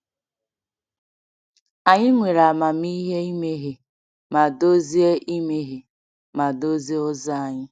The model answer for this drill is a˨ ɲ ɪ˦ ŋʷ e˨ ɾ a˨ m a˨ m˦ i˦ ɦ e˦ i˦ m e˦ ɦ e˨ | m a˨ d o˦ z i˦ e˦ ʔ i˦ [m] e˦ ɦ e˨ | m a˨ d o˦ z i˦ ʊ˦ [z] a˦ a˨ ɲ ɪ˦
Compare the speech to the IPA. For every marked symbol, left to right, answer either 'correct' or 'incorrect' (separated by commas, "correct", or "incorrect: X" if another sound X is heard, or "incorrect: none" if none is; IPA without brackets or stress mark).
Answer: correct, correct